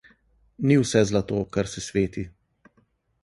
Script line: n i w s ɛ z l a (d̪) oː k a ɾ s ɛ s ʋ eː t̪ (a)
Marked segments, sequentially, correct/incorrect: incorrect: t̪, incorrect: i

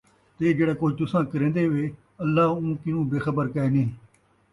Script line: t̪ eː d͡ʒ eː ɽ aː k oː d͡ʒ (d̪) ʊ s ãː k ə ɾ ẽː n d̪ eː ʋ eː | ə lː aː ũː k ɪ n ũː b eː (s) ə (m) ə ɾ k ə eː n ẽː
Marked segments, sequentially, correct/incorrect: incorrect: t̪, incorrect: x, incorrect: b

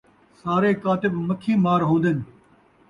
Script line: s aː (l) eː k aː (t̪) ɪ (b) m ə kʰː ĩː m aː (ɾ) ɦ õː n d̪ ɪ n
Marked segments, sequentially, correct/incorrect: incorrect: ɾ, correct, correct, correct

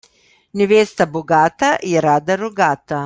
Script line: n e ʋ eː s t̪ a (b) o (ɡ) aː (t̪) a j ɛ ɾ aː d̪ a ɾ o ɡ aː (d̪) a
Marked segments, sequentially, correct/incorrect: correct, correct, correct, incorrect: t̪

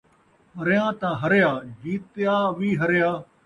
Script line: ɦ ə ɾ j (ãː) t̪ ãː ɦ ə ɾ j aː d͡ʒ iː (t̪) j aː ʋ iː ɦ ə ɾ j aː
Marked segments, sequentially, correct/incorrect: correct, correct

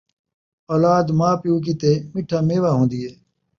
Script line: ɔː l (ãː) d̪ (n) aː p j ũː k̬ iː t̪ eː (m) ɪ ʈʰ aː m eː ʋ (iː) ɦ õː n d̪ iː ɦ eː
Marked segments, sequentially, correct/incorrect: incorrect: aː, incorrect: m, correct, incorrect: aː

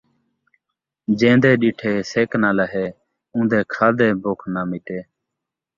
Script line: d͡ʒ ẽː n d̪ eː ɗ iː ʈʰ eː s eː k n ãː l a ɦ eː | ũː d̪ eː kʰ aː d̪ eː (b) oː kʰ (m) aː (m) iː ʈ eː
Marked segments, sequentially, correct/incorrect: correct, incorrect: n, correct

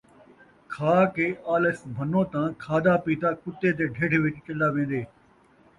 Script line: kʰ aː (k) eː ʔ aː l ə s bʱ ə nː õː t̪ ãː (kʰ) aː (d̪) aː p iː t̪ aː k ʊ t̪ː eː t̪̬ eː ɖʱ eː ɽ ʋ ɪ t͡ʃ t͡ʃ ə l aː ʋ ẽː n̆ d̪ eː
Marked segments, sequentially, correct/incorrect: correct, correct, correct

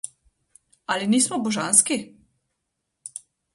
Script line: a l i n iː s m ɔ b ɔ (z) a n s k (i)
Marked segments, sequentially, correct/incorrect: incorrect: ʒ, correct

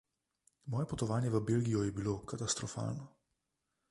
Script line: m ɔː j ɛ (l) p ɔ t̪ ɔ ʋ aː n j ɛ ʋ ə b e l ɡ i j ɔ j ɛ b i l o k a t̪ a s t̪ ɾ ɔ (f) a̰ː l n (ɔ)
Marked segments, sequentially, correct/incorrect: incorrect: none, correct, correct

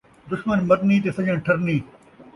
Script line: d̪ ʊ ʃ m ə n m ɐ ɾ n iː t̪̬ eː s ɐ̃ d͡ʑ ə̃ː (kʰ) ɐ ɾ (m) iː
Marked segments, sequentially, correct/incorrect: incorrect: ʈʰ, incorrect: n

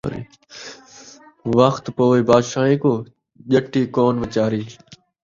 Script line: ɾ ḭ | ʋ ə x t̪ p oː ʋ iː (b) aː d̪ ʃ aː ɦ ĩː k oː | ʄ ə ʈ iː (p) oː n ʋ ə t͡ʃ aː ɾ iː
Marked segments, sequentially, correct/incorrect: correct, incorrect: k

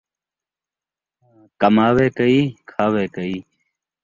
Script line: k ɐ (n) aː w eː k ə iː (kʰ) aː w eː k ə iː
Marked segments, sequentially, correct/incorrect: incorrect: m, correct

